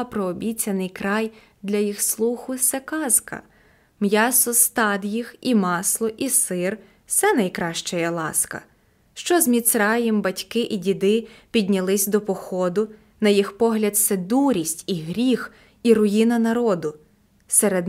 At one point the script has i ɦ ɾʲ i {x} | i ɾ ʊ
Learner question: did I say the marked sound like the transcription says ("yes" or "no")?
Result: yes